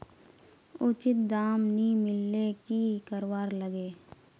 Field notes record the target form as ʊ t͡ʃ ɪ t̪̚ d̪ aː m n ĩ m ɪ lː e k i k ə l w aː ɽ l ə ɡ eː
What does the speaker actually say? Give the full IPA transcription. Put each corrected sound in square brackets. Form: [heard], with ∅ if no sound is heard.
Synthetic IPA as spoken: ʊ t͡ʃ ɪ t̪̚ d̪ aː m n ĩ m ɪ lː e k i k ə [ɾ] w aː [ɾ] l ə ɡ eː

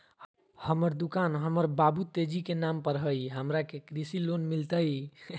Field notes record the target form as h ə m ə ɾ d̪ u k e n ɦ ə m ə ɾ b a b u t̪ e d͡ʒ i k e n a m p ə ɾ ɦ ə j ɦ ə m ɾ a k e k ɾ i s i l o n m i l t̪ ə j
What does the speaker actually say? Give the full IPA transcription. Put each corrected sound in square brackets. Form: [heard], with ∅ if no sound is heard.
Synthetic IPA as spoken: h ə m ə ɾ d̪ u k [a] n ɦ ə m ə ɾ b a b u t̪ e d͡ʒ i k e n a m p ə ɾ ɦ ə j ɦ ə m ɾ a k e k ɾ i s i l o n m i l t̪ ə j

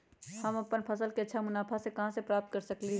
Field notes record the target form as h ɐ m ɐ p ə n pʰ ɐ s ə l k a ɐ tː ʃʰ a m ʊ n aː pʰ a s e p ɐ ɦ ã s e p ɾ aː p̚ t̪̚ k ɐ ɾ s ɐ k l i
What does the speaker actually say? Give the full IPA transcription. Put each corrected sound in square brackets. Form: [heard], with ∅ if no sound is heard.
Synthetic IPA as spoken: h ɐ m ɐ p ə n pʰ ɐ s ə l k [e] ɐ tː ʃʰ a m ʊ n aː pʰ a s e [k] ɐ ɦ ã s e p ɾ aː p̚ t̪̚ k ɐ ɾ s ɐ k l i

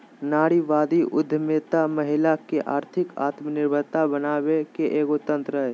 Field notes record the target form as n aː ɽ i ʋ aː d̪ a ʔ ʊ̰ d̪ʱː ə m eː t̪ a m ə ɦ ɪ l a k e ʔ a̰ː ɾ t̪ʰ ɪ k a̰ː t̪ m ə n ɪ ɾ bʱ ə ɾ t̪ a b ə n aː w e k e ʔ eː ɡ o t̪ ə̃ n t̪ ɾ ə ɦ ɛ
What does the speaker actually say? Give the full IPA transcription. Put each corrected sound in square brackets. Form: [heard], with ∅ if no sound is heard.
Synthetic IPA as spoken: n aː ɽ i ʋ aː d̪ [i] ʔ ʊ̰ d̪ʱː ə m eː t̪ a m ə ɦ ɪ l a k e ʔ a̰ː ɾ t̪ʰ ɪ k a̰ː t̪ m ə n ɪ ɾ bʱ ə ɾ t̪ a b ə n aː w e k e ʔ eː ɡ o t̪ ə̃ n t̪ ɾ ə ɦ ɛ

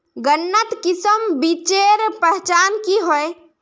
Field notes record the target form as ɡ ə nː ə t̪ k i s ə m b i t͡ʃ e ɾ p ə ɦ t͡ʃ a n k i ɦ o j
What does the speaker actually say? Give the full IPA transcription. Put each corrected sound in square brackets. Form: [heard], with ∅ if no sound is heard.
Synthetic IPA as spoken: ɡ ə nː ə t̪ k i s ə m b i t͡ʃ e ɾ p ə ɦ t͡ʃ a n k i ɦ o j

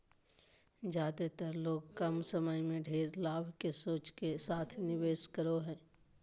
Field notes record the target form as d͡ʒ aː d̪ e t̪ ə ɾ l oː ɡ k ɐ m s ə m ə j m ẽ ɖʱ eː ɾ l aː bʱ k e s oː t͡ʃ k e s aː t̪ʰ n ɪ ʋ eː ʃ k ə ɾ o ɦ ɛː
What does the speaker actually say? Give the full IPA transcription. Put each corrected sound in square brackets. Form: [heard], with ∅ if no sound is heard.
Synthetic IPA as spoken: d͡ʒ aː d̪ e t̪ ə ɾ l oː ɡ k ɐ m s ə m ə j m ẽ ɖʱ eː ɾ l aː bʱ k e s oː t͡ʃ k e s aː t̪ʰ n ɪ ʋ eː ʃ k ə ɾ o ɦ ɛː

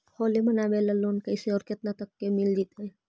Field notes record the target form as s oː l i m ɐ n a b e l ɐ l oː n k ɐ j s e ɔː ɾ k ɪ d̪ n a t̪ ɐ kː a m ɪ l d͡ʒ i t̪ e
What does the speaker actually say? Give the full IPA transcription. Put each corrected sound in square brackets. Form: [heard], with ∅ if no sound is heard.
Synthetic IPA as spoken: [h] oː l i m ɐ n a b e l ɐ l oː n k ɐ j s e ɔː ɾ k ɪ [t̪] n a t̪ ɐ kː [e] m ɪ l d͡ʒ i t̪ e

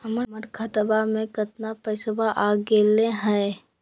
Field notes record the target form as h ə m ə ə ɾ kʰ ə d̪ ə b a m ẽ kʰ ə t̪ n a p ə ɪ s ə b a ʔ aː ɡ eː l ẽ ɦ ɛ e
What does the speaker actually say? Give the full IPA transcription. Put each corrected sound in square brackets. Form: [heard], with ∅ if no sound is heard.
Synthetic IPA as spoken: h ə m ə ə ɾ kʰ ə [t̪] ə b a m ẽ [k] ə t̪ n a p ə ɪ s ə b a ʔ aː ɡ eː l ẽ ɦ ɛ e

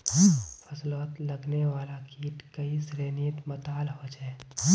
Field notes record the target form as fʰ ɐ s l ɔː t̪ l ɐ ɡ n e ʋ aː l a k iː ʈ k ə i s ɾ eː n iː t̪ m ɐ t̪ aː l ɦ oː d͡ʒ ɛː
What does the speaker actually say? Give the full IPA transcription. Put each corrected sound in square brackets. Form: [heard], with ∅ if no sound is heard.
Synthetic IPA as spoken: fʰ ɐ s l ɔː t̪ l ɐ ɡ n e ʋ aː l a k iː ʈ k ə i s ɾ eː n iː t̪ m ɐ t̪ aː l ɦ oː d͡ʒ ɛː

